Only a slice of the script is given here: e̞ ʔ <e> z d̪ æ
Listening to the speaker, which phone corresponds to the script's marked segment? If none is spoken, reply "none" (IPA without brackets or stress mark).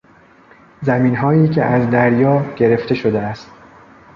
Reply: æ